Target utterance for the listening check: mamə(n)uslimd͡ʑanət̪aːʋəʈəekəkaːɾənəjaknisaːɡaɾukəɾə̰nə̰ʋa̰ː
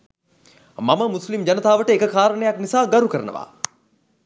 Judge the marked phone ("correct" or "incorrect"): incorrect